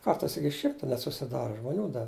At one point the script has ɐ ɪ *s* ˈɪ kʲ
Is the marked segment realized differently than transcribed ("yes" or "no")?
no